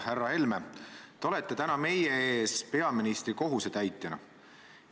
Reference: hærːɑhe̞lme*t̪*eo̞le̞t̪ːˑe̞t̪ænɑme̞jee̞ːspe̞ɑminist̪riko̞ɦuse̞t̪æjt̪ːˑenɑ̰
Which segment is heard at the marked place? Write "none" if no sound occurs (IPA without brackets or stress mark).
t̪